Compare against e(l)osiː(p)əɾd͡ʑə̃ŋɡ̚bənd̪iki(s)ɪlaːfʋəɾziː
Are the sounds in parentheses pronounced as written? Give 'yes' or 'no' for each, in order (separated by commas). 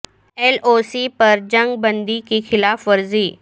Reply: yes, yes, no